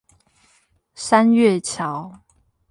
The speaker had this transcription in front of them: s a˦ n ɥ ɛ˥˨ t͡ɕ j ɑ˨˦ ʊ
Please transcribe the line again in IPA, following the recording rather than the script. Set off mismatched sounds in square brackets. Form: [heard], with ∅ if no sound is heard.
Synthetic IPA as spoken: s a˦ n ɥ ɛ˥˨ [t͡ɕʰ] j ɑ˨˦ ʊ